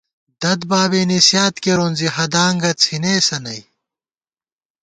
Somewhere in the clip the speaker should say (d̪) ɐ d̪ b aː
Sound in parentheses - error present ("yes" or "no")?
no